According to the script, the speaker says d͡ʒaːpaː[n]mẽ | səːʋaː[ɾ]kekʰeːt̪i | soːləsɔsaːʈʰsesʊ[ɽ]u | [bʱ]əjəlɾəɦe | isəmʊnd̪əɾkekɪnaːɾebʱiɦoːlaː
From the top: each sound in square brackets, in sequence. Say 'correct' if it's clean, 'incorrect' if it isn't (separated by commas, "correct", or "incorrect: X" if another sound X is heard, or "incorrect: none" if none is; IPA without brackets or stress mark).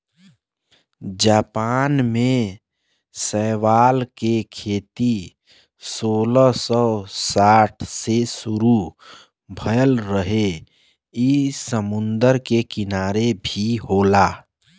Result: correct, incorrect: l, incorrect: ɾ, correct